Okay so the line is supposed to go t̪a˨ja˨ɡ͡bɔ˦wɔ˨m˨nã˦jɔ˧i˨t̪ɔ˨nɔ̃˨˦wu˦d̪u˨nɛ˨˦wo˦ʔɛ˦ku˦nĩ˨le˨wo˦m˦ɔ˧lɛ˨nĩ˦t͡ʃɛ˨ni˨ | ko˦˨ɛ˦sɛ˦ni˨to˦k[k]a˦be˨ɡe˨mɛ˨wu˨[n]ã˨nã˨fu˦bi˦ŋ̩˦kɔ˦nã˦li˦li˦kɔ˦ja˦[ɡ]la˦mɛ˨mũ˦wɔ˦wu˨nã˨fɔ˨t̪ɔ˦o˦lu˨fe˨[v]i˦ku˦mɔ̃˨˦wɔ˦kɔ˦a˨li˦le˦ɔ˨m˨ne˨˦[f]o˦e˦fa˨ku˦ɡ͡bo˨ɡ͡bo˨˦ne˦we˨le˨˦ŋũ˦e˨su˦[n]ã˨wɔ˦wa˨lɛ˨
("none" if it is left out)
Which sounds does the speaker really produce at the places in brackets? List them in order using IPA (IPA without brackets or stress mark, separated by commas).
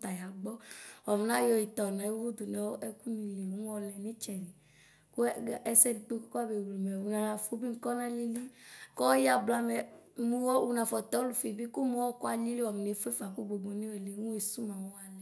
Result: k, n, b, b, f, m